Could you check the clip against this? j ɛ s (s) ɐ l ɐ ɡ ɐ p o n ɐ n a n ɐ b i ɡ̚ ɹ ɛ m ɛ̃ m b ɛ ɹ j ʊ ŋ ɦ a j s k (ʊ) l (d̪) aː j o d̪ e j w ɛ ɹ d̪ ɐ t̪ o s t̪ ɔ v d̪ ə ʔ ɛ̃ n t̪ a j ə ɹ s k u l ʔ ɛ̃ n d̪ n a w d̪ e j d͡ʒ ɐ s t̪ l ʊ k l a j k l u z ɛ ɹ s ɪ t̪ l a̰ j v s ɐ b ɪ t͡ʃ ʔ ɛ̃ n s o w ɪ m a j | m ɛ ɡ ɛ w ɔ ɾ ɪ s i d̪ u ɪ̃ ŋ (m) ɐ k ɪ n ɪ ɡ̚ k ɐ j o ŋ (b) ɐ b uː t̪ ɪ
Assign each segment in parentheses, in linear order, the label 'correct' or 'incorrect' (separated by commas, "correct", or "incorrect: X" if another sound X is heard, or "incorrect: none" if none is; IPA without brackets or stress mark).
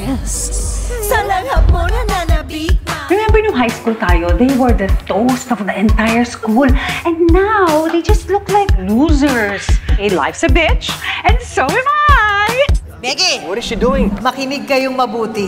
correct, incorrect: u, incorrect: t̪, correct, incorrect: m